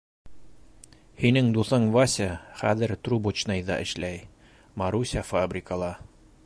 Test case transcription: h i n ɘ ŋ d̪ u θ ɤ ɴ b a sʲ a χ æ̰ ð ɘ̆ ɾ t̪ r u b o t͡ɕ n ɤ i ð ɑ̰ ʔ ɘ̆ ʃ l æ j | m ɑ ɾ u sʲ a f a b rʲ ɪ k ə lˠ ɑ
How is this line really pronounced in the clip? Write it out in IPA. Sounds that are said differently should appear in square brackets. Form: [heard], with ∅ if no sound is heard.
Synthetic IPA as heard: h i n ɘ ŋ d̪ u θ ɤ ɴ [v] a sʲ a χ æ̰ ð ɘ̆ ɾ t̪ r u b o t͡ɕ n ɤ [j] ð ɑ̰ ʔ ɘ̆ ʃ l æ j | m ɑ ɾ u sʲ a f a b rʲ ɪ k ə lˠ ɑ

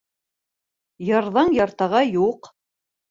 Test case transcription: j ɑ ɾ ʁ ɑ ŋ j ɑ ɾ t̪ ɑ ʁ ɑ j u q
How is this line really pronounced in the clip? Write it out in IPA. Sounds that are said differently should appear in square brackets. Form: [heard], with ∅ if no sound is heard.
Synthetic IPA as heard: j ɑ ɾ [ð] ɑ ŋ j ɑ ɾ t̪ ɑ ʁ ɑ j u q

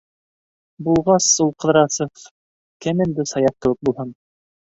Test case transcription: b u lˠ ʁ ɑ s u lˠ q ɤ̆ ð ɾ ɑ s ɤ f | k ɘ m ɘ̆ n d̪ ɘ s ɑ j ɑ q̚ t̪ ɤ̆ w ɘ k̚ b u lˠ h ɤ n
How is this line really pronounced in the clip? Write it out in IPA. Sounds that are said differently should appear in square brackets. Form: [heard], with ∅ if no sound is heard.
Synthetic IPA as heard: b u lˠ ʁ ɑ s u lˠ q ɤ̆ ð ɾ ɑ s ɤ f | k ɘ m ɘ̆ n d̪ ɘ s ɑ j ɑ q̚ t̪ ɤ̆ w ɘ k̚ b u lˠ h ɤ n

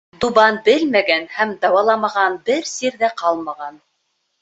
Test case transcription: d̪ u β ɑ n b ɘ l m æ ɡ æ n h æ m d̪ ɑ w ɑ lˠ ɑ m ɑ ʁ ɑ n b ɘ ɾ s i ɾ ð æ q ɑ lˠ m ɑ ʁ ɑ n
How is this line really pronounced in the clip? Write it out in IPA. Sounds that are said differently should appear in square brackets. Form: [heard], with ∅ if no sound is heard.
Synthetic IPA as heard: d̪ u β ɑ n b ɘ l m æ ɡ æ n h æ m d̪ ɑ w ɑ lˠ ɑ m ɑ ʁ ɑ n b ɘ ɾ s i ɾ ð æ q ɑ lˠ m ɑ ʁ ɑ n

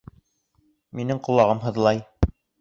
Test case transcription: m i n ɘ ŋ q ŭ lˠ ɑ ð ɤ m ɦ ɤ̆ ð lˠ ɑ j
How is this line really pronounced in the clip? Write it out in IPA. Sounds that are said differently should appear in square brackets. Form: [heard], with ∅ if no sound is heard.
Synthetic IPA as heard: m i n ɘ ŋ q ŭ lˠ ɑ [ʁ] ɤ m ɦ ɤ̆ ð lˠ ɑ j

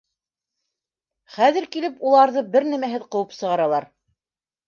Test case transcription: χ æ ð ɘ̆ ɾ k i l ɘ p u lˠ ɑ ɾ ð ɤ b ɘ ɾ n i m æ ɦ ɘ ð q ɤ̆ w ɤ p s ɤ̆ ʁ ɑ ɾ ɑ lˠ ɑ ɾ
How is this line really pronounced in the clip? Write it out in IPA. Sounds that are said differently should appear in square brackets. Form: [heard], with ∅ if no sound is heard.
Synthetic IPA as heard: χ æ ð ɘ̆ ɾ k i l ɘ p u lˠ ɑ ɾ ð ɤ b ɘ ɾ n [æ] m æ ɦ ɘ ð q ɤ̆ w ɤ p s ɤ̆ ʁ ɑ ɾ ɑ lˠ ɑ ɾ

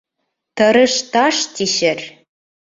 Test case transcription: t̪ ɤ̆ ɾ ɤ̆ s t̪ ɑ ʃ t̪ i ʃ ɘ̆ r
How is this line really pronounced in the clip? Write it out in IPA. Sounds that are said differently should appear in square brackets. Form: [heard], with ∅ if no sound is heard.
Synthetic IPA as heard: t̪ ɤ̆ ɾ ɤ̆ [ʃ] t̪ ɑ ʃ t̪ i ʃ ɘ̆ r

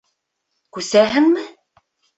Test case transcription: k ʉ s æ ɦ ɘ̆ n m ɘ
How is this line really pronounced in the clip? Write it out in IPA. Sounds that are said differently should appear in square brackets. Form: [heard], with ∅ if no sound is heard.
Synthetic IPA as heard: k ʉ s æ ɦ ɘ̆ [ŋ] m ɘ

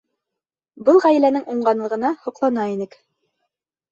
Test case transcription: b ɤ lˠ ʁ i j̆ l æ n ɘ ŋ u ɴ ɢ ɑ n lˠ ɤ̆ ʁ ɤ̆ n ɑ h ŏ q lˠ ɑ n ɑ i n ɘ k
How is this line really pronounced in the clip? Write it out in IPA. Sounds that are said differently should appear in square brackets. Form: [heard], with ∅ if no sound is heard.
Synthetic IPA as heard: b ɤ lˠ ʁ [æ] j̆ l æ n ɘ ŋ u ɴ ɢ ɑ n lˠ ɤ̆ ʁ ɤ̆ n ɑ h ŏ q lˠ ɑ n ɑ i n ɘ k

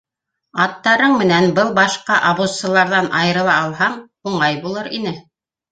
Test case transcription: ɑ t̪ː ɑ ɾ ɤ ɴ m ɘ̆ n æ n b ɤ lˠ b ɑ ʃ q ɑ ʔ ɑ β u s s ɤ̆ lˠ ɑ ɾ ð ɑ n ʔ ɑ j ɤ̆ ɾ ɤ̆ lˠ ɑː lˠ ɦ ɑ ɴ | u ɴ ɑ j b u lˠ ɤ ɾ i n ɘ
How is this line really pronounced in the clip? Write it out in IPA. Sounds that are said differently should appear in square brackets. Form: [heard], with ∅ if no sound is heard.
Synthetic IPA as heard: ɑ t̪ː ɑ ɾ ɤ ɴ m ɘ̆ n æ n b ɤ lˠ b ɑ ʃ q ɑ ʔ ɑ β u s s ɤ̆ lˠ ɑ ɾ ð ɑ n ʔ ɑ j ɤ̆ ɾ ɤ̆ lˠ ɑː lˠ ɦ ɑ ɴ | u ɴ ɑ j b u lˠ ɤ ɾ i n ɘ

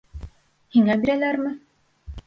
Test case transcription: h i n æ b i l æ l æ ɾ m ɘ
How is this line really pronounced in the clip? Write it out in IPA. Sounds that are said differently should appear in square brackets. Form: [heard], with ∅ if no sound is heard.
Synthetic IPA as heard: h i [ŋ] æ b i [ɾ] æ l æ ɾ m ɘ

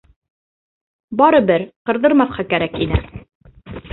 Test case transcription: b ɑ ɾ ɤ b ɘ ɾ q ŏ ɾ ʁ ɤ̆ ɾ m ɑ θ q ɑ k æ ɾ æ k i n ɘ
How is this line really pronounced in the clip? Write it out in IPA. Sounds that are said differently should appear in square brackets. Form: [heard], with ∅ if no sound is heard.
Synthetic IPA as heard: b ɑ ɾ ɤ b ɘ ɾ q [ɤ̆] ɾ [ð] ɤ̆ ɾ m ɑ θ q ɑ k æ ɾ æ k i n ɘ

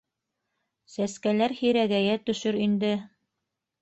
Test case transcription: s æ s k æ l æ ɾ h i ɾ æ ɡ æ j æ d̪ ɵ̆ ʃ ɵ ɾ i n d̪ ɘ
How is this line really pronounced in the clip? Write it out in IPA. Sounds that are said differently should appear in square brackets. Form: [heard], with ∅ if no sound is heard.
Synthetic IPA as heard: s æ s k æ l æ ɾ h i ɾ æ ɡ æ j æ [t̪] ɵ̆ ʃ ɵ ɾ i n d̪ ɘ

